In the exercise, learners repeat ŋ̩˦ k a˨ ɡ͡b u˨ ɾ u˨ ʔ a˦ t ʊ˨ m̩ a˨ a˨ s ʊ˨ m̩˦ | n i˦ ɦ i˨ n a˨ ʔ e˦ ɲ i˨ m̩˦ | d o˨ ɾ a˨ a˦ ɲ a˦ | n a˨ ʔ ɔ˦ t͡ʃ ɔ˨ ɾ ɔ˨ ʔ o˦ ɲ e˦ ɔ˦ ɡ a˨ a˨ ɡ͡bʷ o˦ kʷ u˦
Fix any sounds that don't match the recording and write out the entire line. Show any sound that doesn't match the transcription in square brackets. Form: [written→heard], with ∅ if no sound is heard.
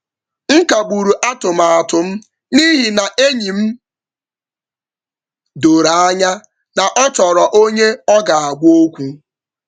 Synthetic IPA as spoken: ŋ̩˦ k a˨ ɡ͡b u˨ ɾ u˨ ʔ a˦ t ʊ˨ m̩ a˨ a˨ [s→t] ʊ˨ m̩˦ | n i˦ ɦ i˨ n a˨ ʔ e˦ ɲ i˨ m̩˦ | d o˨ ɾ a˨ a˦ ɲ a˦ | n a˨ ʔ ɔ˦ t͡ʃ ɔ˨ ɾ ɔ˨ ʔ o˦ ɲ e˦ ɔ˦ ɡ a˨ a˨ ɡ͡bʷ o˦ kʷ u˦

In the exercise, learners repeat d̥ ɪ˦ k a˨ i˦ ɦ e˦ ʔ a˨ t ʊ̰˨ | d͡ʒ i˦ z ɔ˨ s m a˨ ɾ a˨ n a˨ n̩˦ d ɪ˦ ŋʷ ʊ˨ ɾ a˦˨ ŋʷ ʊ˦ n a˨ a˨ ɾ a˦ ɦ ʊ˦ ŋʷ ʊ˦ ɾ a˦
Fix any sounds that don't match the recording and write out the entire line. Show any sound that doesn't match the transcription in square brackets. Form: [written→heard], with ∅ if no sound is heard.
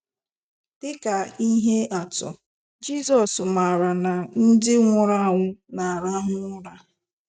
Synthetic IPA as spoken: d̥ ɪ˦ k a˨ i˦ ɦ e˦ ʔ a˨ t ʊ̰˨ | d͡ʒ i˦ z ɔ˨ s m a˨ ɾ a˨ n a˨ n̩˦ d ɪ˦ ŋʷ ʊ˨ ɾ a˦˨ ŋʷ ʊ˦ n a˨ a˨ ɾ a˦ ɦ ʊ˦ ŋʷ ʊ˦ ɾ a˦

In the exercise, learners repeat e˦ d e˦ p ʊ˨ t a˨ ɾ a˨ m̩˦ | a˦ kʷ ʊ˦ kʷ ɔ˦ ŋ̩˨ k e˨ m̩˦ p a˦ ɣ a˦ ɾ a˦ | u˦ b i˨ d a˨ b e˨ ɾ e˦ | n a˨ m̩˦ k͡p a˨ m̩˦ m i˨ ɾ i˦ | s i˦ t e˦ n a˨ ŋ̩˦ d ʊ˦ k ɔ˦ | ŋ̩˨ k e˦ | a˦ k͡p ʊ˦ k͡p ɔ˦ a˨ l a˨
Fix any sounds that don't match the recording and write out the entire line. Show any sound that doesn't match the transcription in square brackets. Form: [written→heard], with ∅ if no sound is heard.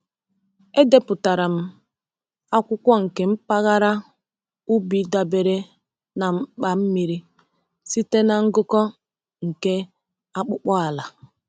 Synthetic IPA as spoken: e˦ d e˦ p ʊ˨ t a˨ ɾ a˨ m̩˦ | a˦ kʷ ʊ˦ kʷ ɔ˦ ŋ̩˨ k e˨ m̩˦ p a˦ ɣ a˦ ɾ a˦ | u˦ b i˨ d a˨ b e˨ ɾ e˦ | n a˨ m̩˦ k͡p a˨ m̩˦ m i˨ ɾ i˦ | s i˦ t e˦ n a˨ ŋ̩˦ [d→ɡ] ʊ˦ k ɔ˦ | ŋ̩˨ k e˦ | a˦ k͡p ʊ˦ k͡p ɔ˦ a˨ l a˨

